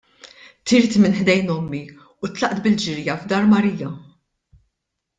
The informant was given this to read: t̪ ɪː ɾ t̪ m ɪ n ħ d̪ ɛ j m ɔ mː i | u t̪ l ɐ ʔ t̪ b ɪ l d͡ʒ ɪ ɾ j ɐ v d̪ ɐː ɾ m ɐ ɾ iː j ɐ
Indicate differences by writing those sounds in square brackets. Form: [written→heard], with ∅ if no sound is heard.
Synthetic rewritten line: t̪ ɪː ɾ t̪ m ɪ n ħ d̪ ɛ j [m→n] ɔ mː i | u t̪ l ɐ ʔ t̪ b ɪ l d͡ʒ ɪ ɾ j ɐ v d̪ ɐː ɾ m ɐ ɾ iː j ɐ